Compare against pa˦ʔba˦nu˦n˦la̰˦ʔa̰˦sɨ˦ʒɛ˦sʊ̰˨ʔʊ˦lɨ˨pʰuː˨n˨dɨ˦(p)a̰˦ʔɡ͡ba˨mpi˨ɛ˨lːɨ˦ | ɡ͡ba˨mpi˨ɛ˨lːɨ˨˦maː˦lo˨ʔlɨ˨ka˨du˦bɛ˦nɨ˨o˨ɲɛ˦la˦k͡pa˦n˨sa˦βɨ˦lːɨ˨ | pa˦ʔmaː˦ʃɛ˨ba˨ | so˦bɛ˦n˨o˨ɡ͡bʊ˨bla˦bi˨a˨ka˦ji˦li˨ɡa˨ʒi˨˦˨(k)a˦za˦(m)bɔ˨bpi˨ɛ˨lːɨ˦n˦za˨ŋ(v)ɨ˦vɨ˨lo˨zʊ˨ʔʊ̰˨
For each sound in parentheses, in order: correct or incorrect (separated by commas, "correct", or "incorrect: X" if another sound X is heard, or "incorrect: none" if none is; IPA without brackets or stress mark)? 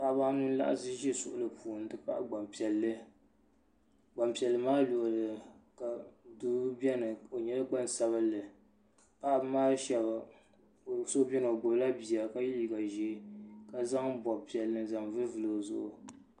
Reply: correct, correct, incorrect: ŋ, correct